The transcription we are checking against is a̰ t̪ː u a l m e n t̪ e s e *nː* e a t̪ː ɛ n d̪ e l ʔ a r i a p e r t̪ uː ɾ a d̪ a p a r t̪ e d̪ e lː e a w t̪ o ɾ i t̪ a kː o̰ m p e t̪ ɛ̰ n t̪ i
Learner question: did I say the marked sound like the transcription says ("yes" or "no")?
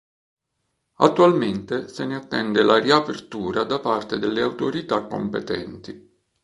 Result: no